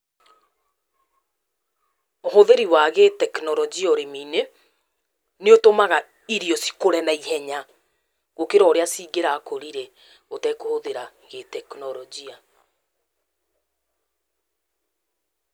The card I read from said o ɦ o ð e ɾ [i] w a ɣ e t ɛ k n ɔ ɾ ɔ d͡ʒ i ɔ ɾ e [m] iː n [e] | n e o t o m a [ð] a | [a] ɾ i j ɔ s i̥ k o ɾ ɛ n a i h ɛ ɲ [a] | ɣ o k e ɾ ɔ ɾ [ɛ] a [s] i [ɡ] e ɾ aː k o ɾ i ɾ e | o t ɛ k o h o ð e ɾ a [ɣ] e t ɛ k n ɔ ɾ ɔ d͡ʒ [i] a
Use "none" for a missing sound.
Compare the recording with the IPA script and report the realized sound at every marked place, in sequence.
i, m, e, ɣ, i, a, e, s, ɡ, ɣ, i

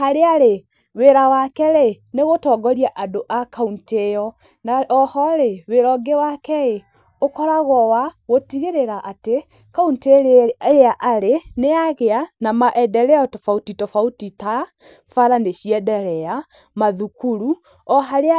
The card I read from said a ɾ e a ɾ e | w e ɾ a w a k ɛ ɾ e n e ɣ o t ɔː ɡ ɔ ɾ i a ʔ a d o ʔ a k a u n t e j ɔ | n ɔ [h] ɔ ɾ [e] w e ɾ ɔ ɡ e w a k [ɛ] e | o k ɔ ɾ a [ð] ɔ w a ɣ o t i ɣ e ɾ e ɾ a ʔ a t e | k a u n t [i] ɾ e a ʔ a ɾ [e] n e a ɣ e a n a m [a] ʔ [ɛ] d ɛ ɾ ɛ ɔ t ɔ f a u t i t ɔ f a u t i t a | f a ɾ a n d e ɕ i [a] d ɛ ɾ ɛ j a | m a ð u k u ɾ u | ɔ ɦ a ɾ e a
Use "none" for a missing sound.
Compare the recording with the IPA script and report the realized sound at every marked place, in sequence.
h, e, ɛ, ɣ, e, e, a, ɛ, ɛ

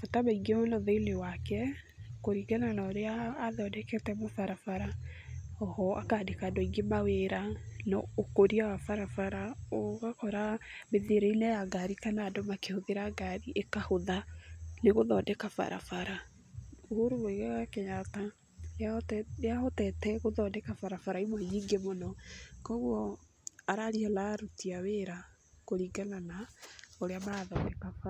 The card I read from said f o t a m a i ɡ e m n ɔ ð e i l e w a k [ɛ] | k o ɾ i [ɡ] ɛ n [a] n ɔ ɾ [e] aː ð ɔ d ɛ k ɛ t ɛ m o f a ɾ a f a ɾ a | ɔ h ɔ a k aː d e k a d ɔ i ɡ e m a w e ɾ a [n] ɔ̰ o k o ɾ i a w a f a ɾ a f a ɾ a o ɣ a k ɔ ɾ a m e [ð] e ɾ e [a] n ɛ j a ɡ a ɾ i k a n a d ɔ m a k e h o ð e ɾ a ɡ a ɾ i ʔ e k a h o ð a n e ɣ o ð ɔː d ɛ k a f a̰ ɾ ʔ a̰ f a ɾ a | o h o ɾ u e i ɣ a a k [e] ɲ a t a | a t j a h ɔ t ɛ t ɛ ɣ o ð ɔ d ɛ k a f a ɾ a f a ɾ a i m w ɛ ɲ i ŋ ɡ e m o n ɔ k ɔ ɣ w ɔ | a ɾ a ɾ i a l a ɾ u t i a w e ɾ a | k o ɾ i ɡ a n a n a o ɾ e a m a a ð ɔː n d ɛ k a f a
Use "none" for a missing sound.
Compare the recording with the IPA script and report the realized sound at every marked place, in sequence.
ɛ, ɡ, a, e, n, ð, i, e

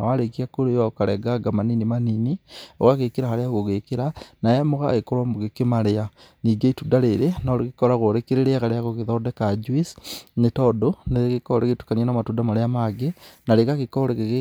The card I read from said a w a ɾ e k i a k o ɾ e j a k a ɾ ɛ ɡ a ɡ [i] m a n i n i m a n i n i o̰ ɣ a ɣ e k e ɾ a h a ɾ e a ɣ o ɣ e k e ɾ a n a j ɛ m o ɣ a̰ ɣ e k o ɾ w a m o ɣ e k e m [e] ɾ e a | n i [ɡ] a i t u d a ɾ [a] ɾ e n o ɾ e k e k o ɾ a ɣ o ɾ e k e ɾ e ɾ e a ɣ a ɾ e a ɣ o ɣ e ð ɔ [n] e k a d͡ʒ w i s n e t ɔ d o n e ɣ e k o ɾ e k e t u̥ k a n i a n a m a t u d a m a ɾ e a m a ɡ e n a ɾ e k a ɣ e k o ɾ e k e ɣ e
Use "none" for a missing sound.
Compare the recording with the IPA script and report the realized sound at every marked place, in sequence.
a, a, ɡ, e, d

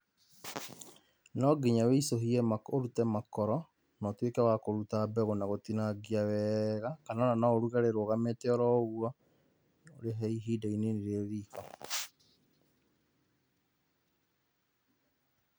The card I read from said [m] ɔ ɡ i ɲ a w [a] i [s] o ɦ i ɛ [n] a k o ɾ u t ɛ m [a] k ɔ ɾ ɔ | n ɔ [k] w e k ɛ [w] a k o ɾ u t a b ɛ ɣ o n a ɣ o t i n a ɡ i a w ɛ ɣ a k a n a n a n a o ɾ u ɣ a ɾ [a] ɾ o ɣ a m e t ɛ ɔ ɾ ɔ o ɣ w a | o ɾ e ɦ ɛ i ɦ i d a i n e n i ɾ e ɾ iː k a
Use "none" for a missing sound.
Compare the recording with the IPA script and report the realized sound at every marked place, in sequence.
n, e, s, m, a, t, w, e

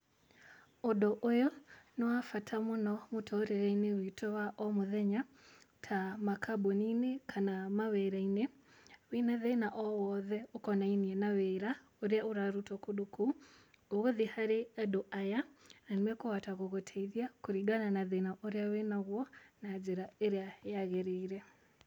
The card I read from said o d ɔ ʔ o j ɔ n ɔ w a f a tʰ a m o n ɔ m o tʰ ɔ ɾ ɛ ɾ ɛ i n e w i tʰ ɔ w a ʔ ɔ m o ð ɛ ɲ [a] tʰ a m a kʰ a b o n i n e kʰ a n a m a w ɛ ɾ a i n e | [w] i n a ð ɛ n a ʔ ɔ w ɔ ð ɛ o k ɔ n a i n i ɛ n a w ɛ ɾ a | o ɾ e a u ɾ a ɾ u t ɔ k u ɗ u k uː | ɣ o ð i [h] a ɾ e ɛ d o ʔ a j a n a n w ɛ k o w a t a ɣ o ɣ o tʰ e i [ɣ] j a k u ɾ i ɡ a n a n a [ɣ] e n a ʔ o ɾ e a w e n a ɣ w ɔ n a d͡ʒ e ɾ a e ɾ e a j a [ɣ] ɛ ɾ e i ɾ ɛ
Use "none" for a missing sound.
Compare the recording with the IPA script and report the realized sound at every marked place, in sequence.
a, w, h, ð, ð, ɣ

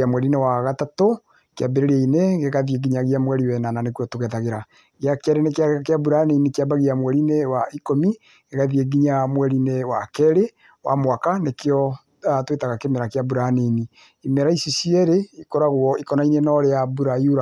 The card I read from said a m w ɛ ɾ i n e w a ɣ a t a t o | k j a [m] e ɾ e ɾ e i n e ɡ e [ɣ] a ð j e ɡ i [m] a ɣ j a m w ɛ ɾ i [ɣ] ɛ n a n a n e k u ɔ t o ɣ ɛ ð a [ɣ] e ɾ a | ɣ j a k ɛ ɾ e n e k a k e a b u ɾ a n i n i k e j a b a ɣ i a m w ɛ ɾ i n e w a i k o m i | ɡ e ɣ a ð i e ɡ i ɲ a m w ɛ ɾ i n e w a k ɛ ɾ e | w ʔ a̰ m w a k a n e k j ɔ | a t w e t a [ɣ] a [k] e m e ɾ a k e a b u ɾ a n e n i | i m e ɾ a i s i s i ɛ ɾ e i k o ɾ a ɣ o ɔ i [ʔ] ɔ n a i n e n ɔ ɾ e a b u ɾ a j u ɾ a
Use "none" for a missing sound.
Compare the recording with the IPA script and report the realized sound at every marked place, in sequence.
b, ɣ, ɲ, w, ɣ, ɣ, k, k

